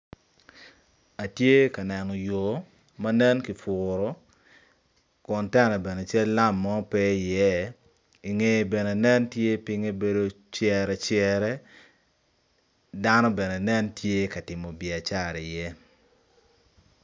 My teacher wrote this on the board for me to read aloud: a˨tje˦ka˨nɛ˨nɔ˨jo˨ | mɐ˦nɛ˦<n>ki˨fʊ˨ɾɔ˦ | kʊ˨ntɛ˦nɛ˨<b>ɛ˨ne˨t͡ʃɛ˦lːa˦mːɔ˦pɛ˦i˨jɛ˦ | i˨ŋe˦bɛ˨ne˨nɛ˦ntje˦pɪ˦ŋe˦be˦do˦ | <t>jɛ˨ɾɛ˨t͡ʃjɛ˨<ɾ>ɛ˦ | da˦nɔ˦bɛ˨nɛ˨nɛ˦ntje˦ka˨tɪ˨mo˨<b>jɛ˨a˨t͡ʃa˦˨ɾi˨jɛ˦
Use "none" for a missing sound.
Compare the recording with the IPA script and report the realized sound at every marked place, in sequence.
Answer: n, b, t͡ʃ, ɾ, b

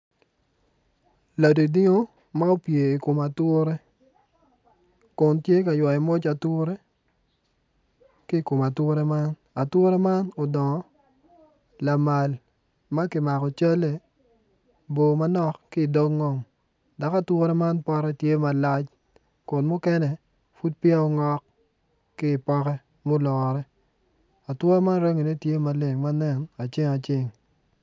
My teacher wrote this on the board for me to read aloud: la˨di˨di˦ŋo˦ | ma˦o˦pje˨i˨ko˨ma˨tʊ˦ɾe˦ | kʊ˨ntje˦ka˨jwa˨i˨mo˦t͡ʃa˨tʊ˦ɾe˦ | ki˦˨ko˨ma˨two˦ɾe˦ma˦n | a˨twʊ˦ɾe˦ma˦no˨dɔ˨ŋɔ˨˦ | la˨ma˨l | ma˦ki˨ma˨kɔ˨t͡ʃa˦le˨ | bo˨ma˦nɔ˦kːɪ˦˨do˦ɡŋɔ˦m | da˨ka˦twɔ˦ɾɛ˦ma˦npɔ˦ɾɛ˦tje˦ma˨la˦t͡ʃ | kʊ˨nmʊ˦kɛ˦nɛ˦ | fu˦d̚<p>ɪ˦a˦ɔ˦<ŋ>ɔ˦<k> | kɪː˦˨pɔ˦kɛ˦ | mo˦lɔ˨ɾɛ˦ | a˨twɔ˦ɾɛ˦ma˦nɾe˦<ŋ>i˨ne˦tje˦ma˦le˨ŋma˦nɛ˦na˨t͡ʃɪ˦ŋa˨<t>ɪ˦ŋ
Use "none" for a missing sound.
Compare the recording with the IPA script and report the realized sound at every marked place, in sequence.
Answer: p, ŋ, k, ŋ, t͡ʃ

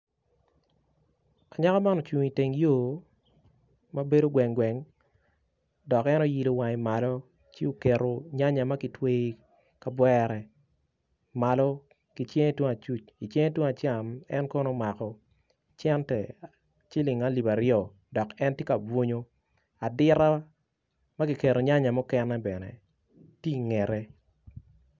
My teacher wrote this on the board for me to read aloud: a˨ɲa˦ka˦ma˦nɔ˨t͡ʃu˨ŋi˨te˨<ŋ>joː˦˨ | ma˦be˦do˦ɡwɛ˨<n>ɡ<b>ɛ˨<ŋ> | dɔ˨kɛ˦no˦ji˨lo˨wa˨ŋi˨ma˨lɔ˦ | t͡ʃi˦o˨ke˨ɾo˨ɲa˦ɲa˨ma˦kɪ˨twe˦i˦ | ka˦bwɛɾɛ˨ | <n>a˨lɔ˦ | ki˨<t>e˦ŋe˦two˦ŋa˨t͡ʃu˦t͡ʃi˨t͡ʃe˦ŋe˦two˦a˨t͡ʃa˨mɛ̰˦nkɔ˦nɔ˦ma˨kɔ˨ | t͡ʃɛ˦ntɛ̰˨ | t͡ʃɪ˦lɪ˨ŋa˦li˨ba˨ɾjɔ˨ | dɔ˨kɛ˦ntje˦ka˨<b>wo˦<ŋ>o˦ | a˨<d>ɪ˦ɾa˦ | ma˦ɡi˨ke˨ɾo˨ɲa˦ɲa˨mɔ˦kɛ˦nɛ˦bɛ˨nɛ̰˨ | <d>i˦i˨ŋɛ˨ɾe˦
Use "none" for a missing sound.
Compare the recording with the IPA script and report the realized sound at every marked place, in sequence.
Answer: ŋ, ŋ, w, ŋ, m, t͡ʃ, b, ɲ, d, t

